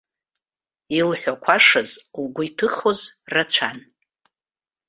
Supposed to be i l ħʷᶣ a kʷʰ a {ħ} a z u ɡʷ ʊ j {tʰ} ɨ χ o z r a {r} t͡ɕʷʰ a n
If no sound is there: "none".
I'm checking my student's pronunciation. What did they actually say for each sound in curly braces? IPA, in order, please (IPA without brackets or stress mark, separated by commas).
ʂ, tʰ, none